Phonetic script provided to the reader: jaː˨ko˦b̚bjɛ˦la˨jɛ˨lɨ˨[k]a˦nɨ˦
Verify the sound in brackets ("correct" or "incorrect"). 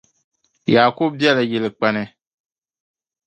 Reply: incorrect